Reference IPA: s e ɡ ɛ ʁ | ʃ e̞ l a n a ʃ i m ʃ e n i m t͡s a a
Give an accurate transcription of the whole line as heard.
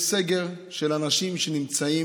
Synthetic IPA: s e ɡ e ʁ | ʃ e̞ l a n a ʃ i m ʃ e n i m t͡s a i